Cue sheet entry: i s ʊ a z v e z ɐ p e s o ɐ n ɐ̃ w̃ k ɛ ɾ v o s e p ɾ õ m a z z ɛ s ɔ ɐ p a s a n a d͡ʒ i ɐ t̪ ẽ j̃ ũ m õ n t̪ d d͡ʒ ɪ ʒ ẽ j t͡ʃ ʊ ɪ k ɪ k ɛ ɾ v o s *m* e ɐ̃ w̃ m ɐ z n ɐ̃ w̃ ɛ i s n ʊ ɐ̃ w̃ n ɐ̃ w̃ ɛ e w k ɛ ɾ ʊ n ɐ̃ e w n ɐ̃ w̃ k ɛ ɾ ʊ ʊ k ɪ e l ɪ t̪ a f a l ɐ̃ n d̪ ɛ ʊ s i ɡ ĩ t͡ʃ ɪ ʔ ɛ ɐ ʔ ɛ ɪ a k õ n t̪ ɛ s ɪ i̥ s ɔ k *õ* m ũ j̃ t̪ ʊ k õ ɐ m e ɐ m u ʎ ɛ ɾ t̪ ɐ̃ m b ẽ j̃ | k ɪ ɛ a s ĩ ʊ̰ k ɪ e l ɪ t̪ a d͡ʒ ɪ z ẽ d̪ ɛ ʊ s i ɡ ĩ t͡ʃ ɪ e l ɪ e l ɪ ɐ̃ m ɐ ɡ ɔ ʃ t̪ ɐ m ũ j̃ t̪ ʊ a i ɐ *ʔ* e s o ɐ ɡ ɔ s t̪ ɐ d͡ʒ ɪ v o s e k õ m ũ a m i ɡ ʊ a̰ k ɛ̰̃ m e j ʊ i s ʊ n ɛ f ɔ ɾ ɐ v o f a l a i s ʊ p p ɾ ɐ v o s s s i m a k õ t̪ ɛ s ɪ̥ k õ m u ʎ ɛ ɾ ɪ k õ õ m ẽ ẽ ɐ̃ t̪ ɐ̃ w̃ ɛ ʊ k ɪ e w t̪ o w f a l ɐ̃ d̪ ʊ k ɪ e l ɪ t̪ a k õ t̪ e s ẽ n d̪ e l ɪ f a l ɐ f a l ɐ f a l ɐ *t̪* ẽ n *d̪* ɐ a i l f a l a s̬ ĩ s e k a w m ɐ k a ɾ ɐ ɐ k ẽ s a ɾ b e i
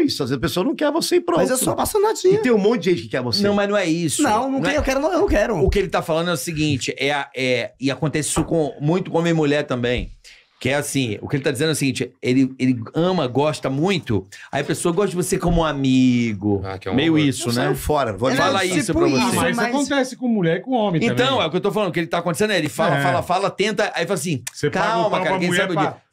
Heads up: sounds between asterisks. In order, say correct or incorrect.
incorrect, correct, incorrect, correct, incorrect

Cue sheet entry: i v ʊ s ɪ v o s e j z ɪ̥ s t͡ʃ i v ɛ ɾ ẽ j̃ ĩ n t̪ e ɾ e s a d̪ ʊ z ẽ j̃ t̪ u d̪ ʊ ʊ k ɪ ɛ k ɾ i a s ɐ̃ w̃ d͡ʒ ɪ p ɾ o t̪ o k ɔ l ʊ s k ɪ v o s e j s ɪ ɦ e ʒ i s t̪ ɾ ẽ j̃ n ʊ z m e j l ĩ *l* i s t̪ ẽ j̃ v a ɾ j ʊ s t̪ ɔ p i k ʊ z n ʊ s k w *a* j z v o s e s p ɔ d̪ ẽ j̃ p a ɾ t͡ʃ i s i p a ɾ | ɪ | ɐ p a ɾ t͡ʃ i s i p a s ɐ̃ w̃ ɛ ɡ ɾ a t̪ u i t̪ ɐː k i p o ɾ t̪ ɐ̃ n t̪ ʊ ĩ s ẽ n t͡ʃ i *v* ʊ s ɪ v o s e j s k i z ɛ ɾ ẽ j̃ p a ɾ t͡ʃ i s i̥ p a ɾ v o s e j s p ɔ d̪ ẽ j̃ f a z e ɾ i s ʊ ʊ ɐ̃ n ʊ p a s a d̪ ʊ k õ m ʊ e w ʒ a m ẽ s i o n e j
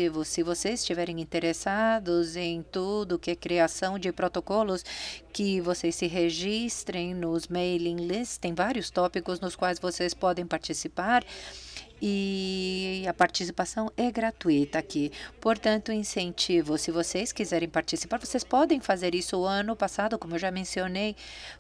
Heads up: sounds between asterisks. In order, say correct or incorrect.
correct, correct, correct

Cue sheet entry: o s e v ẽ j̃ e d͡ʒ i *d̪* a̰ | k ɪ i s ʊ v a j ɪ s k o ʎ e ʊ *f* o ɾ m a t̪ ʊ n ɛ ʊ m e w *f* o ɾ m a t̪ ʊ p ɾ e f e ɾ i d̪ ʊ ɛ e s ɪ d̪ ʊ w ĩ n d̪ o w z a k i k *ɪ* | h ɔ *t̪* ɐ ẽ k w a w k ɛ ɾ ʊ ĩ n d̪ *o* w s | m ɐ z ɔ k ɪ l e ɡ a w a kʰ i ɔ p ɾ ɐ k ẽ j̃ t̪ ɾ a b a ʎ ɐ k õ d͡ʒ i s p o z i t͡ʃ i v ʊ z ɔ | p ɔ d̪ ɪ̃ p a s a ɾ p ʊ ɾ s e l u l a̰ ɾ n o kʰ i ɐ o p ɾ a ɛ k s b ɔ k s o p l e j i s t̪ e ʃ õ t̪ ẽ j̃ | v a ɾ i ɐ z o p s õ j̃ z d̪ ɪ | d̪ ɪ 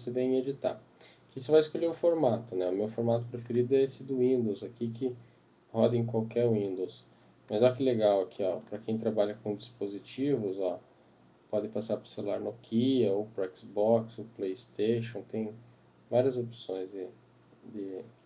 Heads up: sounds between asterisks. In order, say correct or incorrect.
incorrect, correct, correct, correct, incorrect, correct

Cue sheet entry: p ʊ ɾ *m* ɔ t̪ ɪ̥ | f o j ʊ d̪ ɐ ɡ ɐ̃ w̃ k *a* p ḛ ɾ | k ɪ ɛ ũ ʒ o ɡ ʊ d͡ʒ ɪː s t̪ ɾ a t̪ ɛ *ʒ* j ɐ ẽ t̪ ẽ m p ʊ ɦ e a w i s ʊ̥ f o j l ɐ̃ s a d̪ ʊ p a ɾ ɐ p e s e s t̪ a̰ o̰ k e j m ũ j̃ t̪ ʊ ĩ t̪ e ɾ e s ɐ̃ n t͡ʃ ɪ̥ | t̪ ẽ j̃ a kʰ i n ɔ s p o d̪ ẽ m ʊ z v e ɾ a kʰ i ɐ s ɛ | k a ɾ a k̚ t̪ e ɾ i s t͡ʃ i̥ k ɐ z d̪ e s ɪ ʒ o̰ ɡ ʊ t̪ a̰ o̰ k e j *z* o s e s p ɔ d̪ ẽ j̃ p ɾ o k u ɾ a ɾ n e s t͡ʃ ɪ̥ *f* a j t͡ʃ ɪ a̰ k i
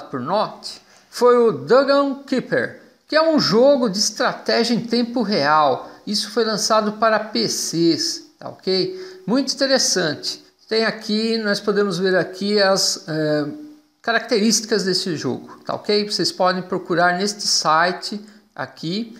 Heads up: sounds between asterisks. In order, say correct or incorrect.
incorrect, incorrect, correct, incorrect, incorrect

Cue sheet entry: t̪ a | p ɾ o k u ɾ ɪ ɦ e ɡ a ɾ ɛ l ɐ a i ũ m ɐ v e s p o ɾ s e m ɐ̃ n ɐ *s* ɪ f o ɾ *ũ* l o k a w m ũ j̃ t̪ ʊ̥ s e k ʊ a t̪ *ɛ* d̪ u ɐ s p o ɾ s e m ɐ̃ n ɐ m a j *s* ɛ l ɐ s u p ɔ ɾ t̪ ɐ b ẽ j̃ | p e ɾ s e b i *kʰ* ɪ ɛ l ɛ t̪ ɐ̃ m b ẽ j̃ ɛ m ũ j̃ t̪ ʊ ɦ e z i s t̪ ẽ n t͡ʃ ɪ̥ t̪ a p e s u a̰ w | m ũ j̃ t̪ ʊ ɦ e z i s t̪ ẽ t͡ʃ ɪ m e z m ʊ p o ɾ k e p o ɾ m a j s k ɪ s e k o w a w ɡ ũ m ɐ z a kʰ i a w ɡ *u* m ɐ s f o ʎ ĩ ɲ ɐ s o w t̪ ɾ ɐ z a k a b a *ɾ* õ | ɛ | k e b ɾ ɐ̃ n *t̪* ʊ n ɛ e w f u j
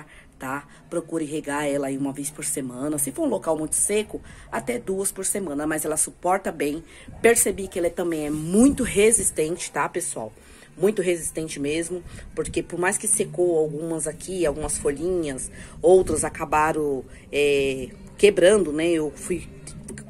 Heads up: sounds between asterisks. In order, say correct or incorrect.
correct, correct, correct, incorrect, incorrect, incorrect, correct, incorrect

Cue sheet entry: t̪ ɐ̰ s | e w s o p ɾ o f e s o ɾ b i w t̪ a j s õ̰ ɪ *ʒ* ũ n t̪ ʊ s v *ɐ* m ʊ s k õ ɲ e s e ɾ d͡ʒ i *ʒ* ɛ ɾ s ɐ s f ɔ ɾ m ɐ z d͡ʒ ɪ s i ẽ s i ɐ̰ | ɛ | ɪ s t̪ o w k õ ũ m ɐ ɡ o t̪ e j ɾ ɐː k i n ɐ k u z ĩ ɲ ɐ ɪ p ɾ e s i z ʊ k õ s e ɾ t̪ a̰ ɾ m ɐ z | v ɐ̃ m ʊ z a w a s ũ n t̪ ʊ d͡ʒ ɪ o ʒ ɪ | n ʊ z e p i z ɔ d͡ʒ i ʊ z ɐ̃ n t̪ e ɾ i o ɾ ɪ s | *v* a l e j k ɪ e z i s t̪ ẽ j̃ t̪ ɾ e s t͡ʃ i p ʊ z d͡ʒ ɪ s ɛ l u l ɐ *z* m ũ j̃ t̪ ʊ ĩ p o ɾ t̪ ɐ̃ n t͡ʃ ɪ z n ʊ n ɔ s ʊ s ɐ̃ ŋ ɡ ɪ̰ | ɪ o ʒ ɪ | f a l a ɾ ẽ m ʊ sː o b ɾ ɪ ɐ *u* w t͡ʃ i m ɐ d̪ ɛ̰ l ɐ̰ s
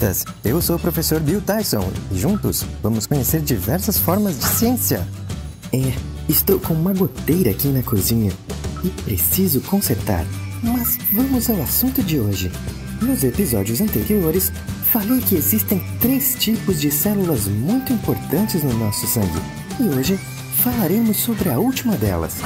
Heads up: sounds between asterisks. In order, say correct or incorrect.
correct, incorrect, incorrect, incorrect, correct, correct

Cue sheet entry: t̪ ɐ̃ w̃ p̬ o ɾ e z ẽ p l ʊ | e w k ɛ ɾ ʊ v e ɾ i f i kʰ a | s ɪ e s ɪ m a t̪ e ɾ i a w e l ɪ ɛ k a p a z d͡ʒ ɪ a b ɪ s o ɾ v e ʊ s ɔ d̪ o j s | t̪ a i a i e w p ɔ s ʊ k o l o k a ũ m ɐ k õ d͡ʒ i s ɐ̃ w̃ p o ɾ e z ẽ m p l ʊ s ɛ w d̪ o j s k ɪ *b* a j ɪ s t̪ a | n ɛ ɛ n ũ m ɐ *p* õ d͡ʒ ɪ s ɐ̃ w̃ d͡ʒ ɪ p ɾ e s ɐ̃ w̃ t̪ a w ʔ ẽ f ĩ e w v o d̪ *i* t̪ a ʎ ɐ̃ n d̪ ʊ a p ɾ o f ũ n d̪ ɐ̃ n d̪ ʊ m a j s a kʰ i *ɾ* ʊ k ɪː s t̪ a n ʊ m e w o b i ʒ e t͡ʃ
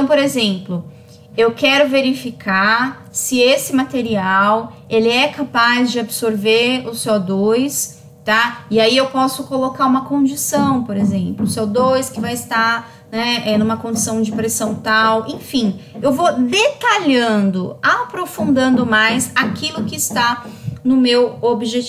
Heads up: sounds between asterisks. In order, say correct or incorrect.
incorrect, incorrect, incorrect, incorrect

